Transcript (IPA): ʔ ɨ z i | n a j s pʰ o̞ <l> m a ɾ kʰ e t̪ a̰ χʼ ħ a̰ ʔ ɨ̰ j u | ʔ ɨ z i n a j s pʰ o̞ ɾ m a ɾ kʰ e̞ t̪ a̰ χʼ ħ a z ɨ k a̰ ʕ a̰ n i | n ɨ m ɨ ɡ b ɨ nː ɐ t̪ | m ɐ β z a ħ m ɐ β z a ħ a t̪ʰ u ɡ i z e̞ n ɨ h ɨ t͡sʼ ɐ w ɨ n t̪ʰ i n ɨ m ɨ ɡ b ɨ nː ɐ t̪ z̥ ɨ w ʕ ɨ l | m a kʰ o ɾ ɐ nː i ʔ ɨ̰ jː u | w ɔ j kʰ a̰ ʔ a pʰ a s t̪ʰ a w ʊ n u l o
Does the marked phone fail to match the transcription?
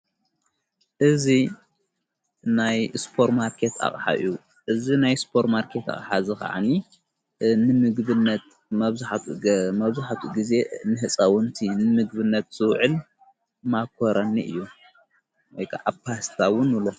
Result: yes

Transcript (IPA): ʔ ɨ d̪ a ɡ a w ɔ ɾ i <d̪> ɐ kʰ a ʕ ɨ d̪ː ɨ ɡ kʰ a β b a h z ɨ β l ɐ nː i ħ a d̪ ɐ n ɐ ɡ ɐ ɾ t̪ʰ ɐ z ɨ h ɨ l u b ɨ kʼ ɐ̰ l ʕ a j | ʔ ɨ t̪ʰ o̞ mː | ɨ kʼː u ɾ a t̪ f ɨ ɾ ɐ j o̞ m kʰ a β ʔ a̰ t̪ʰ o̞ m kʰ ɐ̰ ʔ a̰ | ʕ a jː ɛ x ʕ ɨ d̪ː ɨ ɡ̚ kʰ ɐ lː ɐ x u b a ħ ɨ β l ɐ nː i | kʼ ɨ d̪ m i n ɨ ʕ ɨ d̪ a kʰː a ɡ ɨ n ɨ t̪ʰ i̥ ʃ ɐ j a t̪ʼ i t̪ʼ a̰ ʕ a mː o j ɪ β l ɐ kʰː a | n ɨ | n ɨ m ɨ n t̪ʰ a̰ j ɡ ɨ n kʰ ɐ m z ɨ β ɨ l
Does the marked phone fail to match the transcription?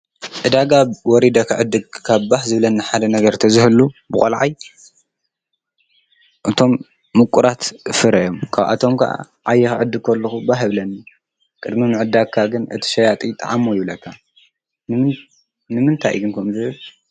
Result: no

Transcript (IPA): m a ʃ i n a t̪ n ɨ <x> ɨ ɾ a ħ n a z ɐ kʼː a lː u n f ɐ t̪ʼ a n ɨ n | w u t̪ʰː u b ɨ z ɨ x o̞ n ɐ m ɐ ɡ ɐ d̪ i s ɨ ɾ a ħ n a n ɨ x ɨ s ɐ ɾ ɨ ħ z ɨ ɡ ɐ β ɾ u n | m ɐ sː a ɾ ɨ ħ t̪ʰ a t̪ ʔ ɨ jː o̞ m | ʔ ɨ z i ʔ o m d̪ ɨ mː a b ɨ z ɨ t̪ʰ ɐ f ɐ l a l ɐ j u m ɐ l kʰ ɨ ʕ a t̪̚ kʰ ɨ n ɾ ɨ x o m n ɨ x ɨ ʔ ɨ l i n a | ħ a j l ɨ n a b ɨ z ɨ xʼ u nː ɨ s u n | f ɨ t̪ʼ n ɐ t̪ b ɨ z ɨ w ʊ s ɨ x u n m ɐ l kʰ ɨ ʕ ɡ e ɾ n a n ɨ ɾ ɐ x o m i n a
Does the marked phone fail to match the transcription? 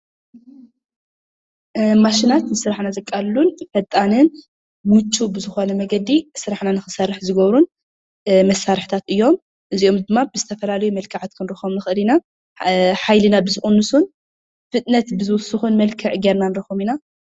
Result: yes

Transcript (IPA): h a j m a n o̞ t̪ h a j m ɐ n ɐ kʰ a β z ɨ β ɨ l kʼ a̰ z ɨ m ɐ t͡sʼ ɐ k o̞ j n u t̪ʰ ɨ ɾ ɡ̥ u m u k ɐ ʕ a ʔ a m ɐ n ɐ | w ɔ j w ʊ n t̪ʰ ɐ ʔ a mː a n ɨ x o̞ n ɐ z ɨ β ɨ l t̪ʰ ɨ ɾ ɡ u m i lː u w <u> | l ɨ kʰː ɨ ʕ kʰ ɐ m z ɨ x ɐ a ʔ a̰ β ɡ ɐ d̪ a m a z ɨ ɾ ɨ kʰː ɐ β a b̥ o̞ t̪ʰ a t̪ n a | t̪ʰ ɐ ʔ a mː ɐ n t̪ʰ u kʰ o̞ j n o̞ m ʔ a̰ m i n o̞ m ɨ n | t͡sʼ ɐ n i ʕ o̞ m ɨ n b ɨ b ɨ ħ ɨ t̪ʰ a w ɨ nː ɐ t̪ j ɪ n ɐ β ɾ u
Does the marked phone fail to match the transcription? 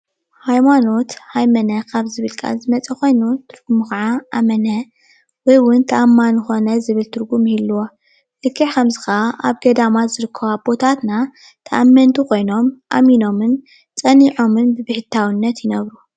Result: yes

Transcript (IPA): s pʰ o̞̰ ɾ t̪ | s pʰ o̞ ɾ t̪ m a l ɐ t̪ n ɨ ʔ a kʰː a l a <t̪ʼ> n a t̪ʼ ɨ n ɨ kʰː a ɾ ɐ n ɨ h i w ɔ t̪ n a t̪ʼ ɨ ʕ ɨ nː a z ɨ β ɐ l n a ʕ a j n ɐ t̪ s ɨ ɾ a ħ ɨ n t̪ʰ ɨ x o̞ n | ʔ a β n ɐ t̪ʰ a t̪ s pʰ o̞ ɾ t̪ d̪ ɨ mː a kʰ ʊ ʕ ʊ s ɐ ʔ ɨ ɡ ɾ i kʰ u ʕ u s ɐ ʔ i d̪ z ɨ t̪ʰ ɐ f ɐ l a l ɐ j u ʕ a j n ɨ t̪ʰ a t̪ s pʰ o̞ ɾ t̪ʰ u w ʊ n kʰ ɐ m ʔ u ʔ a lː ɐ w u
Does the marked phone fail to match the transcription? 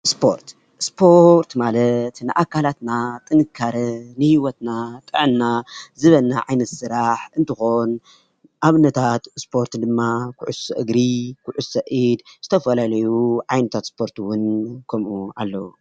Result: yes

